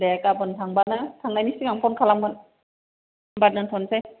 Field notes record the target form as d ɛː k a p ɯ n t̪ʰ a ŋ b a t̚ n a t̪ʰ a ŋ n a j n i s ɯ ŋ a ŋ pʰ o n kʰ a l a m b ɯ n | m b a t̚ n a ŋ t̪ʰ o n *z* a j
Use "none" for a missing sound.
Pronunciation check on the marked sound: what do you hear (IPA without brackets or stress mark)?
s